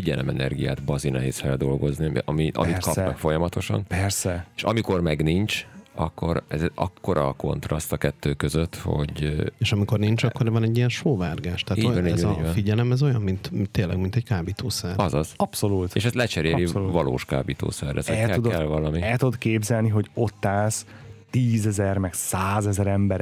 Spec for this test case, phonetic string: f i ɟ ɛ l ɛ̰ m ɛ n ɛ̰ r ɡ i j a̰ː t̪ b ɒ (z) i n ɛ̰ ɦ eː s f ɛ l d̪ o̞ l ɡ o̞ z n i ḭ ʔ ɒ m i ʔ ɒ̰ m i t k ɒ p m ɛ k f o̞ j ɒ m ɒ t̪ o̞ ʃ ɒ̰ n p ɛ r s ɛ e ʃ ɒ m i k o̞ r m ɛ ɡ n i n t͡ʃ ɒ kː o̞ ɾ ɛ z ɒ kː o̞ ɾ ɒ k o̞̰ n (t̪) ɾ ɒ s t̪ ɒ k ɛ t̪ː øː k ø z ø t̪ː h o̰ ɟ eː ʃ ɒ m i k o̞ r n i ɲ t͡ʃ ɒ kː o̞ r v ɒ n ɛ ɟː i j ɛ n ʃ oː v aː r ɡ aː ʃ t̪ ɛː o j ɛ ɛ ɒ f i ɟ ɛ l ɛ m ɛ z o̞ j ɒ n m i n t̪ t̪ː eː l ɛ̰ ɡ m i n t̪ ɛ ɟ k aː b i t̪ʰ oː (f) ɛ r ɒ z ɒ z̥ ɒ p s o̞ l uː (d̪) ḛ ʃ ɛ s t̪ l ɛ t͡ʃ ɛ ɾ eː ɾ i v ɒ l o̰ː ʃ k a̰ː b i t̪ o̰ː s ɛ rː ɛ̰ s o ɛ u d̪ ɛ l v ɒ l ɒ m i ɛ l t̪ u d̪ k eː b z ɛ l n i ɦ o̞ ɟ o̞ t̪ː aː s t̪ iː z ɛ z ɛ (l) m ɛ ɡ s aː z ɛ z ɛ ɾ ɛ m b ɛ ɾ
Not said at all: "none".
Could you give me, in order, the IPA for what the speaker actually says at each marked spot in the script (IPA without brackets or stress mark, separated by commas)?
z, t̪, s, t̪, r